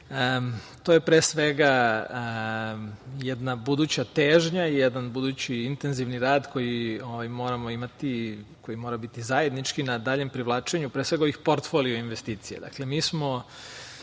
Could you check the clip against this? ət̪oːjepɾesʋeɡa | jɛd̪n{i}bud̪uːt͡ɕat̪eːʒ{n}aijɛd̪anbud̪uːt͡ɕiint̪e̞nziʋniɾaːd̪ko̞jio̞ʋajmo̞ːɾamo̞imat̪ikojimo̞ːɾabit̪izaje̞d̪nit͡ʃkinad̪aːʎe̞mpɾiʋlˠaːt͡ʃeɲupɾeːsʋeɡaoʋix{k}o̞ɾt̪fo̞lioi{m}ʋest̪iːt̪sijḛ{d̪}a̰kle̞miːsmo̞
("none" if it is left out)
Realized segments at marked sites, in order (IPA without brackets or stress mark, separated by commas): a, ɲ, p, n, d̪